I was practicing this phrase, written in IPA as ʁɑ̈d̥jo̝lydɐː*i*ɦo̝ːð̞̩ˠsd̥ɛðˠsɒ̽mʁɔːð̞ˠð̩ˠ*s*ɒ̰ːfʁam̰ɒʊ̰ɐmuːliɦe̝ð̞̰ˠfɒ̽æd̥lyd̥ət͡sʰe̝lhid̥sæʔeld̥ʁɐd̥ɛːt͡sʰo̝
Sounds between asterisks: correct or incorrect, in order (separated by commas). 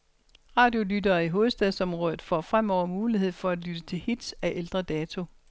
correct, incorrect